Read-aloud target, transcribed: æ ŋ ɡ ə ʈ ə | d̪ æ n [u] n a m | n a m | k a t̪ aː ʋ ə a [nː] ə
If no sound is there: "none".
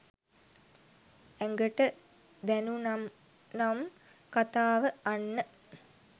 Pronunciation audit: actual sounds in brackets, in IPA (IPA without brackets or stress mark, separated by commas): u, nː